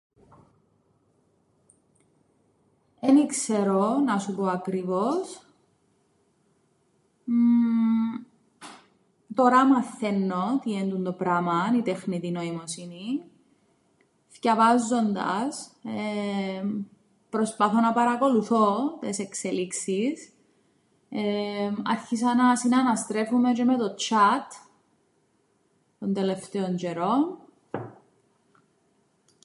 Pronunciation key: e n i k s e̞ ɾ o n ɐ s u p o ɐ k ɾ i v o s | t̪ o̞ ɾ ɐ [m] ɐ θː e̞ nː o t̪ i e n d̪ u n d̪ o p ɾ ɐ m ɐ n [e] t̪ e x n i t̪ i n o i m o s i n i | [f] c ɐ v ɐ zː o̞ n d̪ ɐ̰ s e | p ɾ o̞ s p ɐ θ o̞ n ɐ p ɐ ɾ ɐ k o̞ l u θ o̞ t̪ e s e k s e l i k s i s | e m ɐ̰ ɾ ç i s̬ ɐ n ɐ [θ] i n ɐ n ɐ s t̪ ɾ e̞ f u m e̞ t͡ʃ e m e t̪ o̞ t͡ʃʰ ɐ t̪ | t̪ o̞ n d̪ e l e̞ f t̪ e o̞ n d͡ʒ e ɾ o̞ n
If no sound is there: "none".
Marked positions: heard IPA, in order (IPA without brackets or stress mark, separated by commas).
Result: m, i, f, s